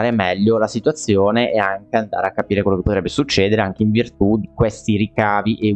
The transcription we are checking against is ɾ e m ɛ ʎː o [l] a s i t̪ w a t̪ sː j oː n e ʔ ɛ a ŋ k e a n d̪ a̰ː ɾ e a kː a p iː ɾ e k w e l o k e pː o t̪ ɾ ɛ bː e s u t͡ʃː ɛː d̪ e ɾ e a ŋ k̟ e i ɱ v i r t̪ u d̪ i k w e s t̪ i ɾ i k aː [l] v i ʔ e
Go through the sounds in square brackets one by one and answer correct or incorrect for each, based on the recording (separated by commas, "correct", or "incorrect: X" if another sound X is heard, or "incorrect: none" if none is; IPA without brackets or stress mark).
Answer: correct, incorrect: none